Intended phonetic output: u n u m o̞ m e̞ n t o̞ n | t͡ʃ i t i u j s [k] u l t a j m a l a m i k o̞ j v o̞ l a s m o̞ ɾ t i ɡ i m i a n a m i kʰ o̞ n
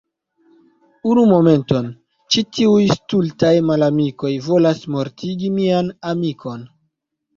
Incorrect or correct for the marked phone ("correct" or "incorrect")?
incorrect